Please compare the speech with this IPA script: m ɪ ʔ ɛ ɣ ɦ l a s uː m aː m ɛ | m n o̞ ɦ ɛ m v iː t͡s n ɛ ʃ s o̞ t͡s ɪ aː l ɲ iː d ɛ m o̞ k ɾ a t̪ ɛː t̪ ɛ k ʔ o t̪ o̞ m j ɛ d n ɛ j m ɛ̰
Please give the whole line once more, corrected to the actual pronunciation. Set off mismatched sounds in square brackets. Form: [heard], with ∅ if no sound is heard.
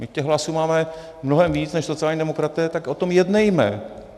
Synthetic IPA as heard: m ɪ [c] ɛ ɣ ɦ l a s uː m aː m ɛ | m n o̞ ɦ ɛ m v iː t͡s n ɛ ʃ s o̞ t͡s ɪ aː l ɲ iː d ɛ m o̞ k ɾ a t̪ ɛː t̪ [a] k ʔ o t̪ o̞ m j ɛ d n ɛ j m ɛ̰